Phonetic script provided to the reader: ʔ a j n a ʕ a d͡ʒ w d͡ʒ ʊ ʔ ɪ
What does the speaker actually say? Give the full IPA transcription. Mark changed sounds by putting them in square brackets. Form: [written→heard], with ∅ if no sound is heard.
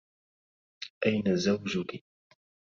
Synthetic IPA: ʔ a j n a [ʕ→z] a [d͡ʒ→∅] w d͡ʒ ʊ [ʔ→k] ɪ